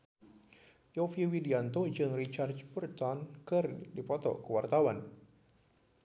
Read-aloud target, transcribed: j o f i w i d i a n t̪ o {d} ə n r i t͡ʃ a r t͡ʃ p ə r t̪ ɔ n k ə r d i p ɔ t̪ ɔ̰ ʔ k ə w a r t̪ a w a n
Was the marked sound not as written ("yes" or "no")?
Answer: yes